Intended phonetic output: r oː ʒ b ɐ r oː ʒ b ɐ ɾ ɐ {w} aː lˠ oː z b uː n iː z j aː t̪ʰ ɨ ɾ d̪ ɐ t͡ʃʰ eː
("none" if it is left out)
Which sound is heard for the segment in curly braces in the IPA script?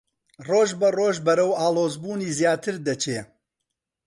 w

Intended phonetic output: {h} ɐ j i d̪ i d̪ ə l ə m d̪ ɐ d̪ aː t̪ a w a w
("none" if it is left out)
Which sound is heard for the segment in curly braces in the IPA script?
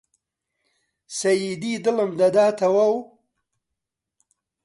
s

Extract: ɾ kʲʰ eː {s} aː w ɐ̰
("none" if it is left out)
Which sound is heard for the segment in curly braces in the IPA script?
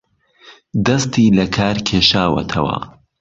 ʃ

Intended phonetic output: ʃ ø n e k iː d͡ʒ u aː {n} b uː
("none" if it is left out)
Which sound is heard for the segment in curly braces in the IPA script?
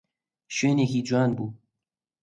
n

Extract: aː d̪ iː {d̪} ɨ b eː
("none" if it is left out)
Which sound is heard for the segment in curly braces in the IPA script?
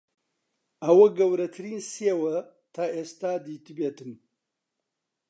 t̪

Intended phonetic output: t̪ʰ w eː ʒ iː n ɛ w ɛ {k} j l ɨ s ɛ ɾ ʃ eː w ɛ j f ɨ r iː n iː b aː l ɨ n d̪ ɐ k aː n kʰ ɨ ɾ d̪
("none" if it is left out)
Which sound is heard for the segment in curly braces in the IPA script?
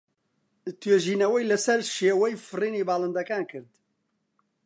none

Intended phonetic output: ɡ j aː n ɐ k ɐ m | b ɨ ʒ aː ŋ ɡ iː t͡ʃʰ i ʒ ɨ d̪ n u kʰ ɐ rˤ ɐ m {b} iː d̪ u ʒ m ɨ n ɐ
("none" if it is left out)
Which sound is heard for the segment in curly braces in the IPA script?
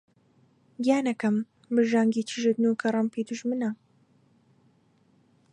p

